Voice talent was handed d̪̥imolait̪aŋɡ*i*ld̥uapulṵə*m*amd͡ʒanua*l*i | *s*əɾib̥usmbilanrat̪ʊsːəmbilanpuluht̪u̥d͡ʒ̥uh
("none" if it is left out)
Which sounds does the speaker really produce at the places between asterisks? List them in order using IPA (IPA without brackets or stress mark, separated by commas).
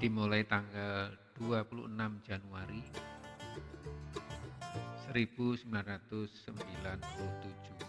a, n, ɾ, s